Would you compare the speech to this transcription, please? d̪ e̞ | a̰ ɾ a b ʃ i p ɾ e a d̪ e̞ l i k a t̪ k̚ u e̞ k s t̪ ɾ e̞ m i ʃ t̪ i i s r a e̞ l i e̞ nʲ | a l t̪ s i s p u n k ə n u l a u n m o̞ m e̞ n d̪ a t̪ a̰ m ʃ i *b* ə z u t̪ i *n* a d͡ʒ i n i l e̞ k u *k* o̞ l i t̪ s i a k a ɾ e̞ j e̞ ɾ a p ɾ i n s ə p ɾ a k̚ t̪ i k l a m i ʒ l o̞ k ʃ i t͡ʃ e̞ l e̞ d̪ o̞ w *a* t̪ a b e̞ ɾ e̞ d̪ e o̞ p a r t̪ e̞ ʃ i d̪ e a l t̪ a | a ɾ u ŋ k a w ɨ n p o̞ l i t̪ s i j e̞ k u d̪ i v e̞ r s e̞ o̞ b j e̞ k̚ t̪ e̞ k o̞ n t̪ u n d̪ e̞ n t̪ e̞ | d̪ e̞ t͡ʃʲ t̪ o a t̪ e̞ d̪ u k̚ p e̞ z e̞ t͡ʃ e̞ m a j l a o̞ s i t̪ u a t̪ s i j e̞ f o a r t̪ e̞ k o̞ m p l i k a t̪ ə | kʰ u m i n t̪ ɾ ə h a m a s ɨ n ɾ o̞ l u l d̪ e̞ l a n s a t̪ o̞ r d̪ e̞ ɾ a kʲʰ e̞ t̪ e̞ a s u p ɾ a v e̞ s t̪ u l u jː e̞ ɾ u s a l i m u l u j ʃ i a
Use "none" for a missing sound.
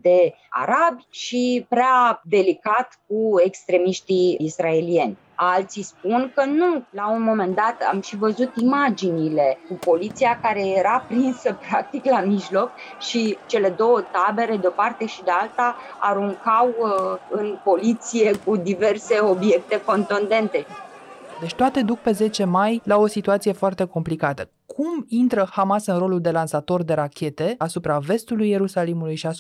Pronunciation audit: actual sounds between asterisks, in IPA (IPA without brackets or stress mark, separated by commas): v, m, p, ə